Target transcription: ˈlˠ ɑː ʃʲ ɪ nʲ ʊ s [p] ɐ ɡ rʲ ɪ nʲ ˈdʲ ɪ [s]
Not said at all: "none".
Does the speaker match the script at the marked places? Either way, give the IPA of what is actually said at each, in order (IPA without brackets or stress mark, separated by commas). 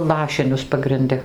p, none